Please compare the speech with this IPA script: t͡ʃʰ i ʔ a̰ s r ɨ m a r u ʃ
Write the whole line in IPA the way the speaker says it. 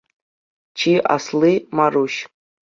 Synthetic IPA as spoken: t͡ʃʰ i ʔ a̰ s l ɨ m a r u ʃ